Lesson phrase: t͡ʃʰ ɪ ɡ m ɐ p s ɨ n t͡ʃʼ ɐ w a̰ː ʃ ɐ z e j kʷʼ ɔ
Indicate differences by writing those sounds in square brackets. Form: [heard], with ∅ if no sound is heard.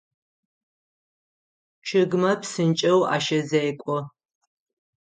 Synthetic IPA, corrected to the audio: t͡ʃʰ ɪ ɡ m ɐ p s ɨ n t͡ʃʼ ɐ w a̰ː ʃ ɐ z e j kʷʼ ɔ